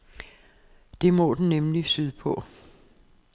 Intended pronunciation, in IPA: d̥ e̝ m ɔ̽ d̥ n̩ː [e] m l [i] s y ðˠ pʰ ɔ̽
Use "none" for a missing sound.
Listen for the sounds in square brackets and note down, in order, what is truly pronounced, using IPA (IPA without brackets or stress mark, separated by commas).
e, i